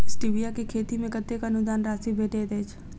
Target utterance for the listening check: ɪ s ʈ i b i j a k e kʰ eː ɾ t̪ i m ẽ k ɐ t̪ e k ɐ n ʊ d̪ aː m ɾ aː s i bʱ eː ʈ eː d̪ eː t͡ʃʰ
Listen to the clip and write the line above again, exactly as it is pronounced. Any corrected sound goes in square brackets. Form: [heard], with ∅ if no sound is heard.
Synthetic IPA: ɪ s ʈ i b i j a k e kʰ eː [∅] t̪ i m ẽ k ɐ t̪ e k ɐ n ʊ d̪ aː [n] ɾ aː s i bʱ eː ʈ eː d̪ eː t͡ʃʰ